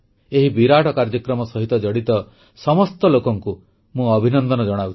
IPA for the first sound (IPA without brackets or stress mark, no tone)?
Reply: e